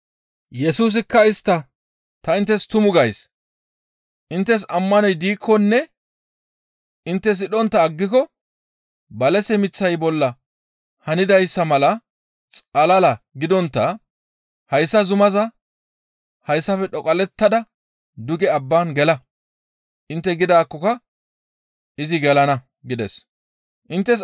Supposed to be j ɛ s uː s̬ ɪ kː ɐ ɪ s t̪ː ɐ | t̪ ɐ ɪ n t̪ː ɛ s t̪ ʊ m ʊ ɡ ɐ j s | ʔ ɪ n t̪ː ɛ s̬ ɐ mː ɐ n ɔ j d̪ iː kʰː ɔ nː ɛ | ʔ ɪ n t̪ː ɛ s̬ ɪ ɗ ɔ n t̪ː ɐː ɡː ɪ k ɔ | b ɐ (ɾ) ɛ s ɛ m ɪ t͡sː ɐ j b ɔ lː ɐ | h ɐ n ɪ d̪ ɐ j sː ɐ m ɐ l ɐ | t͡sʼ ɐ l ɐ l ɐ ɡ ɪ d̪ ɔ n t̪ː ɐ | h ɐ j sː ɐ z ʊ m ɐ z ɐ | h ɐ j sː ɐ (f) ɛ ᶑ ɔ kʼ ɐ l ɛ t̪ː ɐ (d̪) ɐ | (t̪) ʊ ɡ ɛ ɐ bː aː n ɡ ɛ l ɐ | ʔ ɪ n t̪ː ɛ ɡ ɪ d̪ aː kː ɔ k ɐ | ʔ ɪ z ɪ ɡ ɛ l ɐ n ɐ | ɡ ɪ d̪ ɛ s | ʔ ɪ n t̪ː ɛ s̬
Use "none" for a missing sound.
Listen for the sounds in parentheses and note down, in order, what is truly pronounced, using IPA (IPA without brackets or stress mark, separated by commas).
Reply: l, f, d̪, d̪